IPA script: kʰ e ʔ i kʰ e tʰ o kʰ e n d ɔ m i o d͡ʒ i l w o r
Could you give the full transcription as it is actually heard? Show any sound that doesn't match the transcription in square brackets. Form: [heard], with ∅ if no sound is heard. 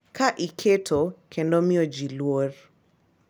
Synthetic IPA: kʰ [a] ʔ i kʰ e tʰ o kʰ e n d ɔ m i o d͡ʒ i l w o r